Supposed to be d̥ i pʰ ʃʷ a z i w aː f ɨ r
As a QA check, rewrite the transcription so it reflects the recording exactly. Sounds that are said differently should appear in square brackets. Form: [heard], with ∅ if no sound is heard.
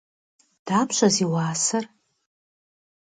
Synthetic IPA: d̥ [a] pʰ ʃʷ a z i w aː [s] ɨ r